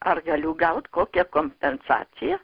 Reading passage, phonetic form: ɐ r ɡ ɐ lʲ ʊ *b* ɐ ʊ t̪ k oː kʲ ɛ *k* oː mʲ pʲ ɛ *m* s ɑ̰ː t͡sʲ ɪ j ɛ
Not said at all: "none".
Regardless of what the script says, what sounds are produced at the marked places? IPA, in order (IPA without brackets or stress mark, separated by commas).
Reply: ɡ, k, n